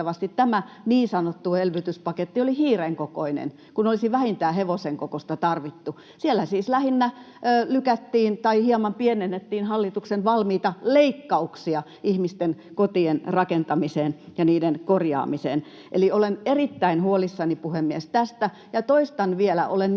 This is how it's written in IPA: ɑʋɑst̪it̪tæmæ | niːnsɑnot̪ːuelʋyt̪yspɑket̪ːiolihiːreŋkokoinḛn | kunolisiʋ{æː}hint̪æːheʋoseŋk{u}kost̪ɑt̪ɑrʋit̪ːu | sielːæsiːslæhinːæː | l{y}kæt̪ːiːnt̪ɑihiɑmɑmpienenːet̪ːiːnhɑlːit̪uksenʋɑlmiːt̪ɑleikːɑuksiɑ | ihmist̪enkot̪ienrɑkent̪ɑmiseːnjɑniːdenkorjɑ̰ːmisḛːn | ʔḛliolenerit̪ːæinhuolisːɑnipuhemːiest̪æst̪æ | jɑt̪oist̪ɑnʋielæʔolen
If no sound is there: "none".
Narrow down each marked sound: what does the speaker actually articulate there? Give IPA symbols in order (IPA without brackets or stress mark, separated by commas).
æ, o, y